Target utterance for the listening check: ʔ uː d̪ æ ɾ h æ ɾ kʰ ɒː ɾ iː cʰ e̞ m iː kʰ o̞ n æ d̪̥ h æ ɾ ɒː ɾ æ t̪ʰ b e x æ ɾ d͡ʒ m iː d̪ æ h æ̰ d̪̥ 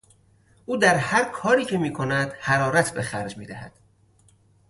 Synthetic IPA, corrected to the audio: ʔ uː d̪ æ ɾ h æ ɾ kʰ ɒː ɾ iː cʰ e̞ m iː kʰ o̞ n æ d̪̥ h æ ɾ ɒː ɾ æ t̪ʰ b e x æ ɾ d͡ʒ m iː d̪ æ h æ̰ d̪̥